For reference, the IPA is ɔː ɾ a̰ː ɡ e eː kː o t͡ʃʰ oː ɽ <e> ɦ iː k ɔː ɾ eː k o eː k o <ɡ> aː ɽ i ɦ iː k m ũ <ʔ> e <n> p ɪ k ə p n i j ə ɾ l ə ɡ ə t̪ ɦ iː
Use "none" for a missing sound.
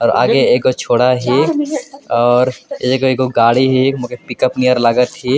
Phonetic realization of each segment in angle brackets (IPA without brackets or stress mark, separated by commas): a, ɡ, k, none